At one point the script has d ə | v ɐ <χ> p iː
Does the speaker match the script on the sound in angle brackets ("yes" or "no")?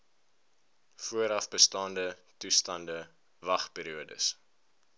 yes